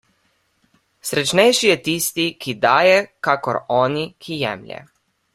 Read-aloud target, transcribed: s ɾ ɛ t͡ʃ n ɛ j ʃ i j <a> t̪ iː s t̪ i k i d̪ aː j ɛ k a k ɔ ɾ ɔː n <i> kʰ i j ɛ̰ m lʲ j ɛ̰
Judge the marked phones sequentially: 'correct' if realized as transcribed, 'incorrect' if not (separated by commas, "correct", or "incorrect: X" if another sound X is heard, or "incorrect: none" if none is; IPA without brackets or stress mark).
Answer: incorrect: ɛ, correct